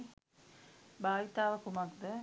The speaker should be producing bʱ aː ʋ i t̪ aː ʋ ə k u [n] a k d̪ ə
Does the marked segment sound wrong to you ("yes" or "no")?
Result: yes